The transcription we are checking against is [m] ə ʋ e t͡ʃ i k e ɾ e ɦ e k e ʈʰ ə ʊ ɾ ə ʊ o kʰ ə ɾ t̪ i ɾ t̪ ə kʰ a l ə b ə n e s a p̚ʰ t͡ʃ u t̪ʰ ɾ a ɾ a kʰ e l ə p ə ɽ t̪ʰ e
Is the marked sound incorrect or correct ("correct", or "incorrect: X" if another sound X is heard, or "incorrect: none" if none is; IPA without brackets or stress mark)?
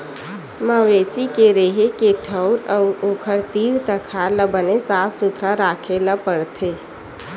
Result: correct